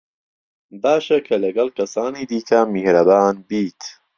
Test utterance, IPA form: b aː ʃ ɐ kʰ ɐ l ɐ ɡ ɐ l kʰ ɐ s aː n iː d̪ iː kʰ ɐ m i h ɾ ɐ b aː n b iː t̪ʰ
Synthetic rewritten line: b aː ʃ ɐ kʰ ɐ l ɐ ɡ ɐ l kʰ ɐ s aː n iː d̪ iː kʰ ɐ m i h ɾ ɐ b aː n b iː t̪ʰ